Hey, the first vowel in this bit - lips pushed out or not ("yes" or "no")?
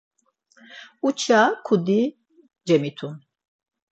yes